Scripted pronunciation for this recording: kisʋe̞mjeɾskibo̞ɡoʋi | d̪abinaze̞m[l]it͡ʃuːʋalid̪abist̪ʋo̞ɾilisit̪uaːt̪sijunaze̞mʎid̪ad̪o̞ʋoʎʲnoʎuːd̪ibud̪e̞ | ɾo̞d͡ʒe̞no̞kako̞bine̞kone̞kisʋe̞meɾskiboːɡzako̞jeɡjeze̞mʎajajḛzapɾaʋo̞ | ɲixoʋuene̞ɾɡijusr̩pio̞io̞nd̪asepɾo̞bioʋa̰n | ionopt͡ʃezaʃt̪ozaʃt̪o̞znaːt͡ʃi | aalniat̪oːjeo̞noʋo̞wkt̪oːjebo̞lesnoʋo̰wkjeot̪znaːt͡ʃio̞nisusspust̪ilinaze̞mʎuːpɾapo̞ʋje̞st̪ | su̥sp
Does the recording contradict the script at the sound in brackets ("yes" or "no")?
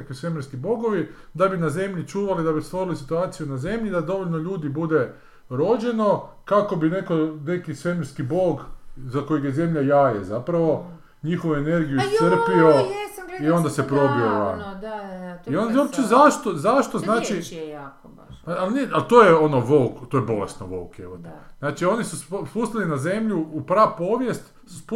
yes